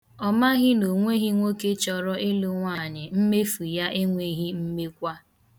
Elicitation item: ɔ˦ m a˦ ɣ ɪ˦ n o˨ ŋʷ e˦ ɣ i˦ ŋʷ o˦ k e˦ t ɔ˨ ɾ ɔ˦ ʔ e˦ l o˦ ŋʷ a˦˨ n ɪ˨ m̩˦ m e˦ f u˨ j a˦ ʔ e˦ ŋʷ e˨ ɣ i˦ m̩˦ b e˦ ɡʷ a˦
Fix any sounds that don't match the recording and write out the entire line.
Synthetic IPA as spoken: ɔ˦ m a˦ ɣ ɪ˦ n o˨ ŋʷ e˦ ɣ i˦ ŋʷ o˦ k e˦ t͡ʃ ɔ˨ ɾ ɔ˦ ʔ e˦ l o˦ ŋʷ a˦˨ ɲ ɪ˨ m̩˦ m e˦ f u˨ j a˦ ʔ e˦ ŋʷ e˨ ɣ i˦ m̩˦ m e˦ kʷ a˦